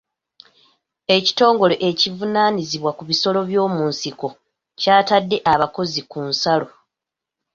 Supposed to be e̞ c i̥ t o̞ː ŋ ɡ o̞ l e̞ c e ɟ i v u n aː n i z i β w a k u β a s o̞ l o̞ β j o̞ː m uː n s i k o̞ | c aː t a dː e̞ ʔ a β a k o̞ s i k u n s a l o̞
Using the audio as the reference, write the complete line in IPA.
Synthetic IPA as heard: e̞ c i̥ t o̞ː ŋ ɡ o̞ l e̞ ʔ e c i v u n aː n i z i β w a k u β i s o̞ l o̞ β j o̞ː m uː n s i k o̞ | c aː t a dː e̞ ʔ a β a k o̞ z i k u n s a l o̞